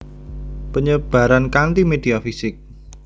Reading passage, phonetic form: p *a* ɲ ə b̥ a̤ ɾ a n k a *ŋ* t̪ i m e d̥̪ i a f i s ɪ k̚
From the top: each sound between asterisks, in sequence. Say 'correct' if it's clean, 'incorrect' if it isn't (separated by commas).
incorrect, incorrect